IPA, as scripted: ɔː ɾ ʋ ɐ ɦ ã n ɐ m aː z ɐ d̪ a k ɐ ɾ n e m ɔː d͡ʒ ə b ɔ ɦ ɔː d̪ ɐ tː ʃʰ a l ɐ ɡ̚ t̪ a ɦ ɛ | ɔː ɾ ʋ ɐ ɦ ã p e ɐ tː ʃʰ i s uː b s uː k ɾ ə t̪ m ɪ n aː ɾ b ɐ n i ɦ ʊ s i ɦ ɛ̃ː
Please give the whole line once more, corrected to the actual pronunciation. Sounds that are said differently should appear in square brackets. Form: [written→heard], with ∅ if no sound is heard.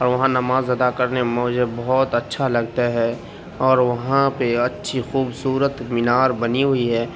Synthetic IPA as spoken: ɔː ɾ ʋ ɐ ɦ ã n ɐ m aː z ɐ d̪ a k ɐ ɾ n e m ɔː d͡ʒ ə b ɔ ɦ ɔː [d̪→t̪] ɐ tː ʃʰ a l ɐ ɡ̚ t̪ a ɦ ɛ | ɔː ɾ ʋ ɐ ɦ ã p e ɐ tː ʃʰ i [s→x] uː b s uː [k→∅] ɾ ə t̪ m ɪ n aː ɾ b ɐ n i ɦ ʊ [s→∅] i ɦ [ɛ̃ː→ɛː]